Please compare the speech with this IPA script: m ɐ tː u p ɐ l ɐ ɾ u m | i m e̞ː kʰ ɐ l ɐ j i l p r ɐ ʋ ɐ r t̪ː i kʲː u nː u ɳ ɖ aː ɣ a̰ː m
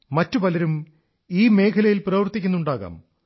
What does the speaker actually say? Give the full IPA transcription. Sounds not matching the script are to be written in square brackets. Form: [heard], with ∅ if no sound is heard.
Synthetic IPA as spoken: m ɐ tː u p ɐ l ɐ ɾ u m | [iː] m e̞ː kʰ ɐ l ɐ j i l p r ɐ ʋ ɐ r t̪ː i kʲː u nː u ɳ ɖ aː ɣ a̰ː m